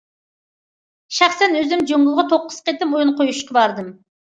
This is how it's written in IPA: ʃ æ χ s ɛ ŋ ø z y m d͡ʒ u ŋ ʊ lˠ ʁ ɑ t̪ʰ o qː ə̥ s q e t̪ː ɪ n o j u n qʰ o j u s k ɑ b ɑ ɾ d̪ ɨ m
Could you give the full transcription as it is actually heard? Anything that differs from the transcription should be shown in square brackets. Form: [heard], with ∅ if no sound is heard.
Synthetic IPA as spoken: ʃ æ χ s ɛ [n] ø z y m d͡ʒ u ŋ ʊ lˠ ʁ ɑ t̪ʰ o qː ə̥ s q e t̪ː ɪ [m] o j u n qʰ o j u [ʃ] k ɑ b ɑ ɾ d̪ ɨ m